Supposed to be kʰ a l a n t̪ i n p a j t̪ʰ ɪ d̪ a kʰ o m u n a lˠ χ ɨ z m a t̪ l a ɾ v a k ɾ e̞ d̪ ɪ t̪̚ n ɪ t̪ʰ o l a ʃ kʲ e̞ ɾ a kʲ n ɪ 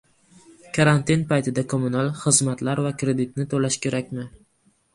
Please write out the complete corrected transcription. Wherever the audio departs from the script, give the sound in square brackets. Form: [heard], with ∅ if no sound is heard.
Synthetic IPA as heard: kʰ a [ɾ] a n t̪ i n p a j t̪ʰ ɪ d̪ a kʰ o m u n a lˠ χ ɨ z m a t̪ l a ɾ v a k ɾ e̞ d̪ ɪ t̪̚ n ɪ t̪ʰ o l a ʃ kʲ e̞ ɾ a kʲ [m] ɪ